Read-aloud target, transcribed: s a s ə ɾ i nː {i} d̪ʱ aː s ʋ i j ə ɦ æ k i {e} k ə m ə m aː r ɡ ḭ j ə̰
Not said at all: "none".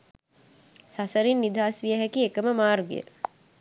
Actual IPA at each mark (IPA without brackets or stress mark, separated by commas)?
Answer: i, e